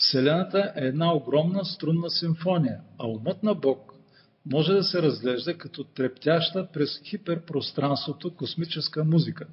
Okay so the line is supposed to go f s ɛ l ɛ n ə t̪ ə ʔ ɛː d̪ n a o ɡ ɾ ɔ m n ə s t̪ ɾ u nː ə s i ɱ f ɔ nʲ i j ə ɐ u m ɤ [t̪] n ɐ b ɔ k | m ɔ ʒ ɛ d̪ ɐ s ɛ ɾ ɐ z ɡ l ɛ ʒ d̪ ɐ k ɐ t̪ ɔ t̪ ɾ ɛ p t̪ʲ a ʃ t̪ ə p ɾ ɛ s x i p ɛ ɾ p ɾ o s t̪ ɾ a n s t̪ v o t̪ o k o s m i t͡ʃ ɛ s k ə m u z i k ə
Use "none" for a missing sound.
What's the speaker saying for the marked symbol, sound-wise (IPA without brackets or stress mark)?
t̪